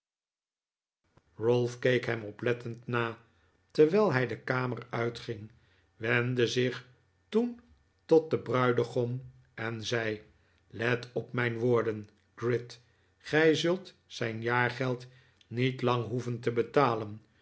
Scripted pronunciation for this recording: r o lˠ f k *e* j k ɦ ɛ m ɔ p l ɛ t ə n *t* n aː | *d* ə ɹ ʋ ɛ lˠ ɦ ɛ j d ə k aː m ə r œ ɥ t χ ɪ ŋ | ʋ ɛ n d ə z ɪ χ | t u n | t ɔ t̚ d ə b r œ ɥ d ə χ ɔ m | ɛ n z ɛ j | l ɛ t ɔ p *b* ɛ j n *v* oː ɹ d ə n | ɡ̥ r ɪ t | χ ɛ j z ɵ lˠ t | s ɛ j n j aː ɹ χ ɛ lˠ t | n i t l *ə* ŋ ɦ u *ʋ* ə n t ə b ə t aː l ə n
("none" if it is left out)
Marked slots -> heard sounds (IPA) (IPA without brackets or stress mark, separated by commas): e, t, t, m, ʋ, ɑ, v